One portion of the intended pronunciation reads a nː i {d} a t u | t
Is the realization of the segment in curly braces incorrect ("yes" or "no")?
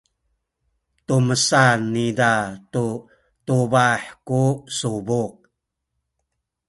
no